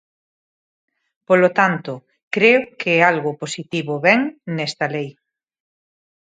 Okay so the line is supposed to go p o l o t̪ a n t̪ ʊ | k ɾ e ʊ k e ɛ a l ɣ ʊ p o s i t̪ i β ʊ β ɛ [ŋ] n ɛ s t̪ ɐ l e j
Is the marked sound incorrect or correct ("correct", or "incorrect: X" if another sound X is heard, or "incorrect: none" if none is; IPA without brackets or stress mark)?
correct